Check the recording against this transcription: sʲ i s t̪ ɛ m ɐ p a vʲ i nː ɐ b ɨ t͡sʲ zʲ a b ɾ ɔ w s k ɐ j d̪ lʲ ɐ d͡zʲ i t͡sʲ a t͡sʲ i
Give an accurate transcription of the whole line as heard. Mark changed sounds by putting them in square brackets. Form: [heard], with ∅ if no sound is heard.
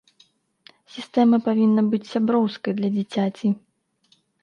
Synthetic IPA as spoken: sʲ i s t̪ ɛ m ɐ p a vʲ i nː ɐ b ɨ t͡sʲ [sʲ] a b ɾ ɔ w s k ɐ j d̪ lʲ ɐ d͡zʲ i t͡sʲ a t͡sʲ i